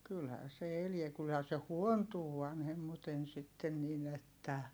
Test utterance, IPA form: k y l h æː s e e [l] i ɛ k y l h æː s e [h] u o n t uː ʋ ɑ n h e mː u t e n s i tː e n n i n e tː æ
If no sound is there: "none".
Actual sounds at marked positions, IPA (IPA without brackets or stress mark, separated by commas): l, h